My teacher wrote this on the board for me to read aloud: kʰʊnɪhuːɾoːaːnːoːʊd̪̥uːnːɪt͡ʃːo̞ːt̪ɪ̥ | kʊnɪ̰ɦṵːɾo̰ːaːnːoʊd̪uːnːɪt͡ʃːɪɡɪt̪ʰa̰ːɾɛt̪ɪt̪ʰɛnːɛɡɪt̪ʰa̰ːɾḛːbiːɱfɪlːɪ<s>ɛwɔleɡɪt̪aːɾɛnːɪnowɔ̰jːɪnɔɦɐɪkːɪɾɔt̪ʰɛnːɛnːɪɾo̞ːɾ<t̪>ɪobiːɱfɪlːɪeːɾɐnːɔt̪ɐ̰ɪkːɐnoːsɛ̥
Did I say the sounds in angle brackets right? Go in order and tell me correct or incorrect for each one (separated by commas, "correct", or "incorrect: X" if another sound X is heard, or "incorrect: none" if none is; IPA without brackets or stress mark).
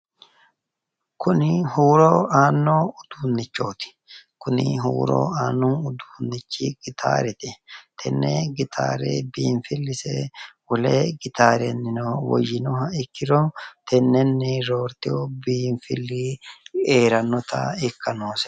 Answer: correct, correct